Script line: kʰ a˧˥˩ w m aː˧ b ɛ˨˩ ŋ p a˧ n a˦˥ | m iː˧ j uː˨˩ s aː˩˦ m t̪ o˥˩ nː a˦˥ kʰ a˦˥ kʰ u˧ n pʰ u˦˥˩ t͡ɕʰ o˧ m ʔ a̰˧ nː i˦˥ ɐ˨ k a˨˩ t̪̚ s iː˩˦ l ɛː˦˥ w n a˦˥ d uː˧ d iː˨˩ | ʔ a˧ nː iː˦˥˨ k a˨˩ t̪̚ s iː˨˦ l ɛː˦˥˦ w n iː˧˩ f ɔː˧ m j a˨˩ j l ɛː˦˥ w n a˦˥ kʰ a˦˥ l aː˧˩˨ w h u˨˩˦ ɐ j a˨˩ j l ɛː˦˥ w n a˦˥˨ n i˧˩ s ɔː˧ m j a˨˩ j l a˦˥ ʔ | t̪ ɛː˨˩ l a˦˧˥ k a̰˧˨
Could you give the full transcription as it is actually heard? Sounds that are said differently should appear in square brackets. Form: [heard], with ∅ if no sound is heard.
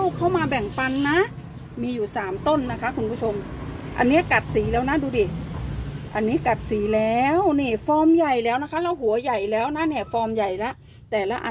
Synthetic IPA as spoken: kʰ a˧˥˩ w m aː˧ b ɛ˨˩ ŋ p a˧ [nː] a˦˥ | m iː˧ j uː˨˩ s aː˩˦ m t̪ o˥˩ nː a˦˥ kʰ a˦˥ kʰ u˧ n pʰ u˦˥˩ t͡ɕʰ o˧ m ʔ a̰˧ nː i˦˥ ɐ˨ k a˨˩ t̪̚ s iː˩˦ l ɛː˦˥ w n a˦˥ d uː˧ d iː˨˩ | ʔ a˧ nː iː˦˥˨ k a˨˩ t̪̚ s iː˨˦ l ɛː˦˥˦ w n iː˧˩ f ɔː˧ m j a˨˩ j l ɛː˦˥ w n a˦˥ kʰ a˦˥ l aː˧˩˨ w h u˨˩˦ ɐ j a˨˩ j l ɛː˦˥ w n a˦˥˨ n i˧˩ [f] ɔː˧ m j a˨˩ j l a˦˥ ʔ | t̪ ɛː˨˩ l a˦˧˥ [ʔ] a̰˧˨